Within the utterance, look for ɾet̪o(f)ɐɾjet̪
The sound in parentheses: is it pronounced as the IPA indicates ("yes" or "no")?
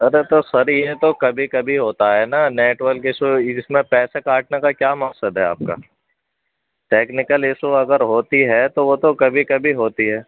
no